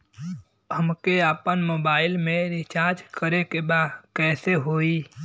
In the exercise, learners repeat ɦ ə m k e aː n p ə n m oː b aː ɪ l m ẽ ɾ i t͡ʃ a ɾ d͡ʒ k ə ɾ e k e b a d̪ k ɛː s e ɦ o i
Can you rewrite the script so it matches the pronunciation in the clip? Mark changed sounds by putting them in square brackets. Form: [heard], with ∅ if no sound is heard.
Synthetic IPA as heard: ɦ ə m k e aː [∅] p ə n m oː b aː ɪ l m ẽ ɾ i t͡ʃ a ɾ d͡ʒ k ə ɾ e k e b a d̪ k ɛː s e ɦ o i